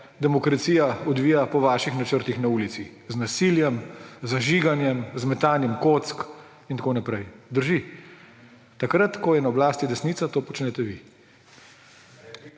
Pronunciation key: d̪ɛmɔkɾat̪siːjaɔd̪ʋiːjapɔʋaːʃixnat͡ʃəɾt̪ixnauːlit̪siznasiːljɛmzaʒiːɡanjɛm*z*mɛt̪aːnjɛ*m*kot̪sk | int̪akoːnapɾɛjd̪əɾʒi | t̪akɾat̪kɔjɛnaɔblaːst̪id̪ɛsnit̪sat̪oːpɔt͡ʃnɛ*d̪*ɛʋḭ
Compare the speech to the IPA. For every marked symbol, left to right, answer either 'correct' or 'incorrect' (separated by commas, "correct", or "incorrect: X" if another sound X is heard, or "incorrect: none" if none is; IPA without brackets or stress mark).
correct, correct, incorrect: t̪